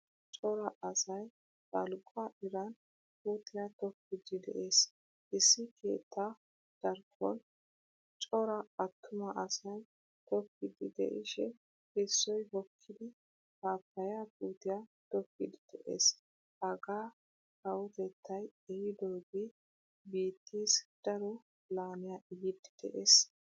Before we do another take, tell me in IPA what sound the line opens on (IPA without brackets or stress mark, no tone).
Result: t͡ʃʼ